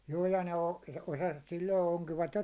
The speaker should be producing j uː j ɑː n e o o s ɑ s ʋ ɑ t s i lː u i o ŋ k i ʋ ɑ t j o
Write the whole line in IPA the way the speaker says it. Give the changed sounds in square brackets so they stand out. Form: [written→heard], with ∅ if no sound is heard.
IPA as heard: j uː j [ɑː→ɑ] n e o o s ɑ s ʋ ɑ t s i lː [u→o] i o ŋ k i ʋ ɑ t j o